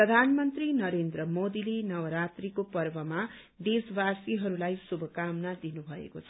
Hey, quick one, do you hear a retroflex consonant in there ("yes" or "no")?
no